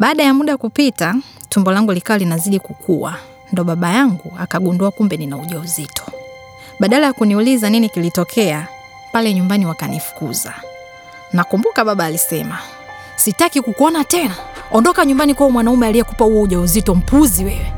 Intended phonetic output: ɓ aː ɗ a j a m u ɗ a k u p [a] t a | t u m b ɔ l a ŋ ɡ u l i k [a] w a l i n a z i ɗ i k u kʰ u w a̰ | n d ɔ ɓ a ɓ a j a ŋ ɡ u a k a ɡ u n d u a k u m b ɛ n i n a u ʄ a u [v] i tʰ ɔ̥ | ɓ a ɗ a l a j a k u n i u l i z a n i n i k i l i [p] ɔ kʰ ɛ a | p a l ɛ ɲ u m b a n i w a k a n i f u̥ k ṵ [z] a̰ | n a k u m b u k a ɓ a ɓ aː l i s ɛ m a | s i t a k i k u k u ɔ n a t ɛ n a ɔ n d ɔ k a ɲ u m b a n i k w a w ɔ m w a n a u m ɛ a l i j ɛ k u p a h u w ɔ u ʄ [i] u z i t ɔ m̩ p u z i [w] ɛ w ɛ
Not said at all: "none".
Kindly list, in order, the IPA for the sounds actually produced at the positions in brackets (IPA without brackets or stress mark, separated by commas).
i, a, z, t, z, a, w